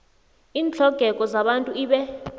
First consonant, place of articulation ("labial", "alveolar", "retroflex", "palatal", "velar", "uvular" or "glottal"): alveolar